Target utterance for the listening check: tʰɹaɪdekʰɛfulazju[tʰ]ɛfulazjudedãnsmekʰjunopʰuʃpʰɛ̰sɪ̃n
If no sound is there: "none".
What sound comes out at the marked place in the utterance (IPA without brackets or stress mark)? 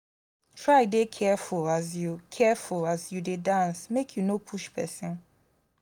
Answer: kʰ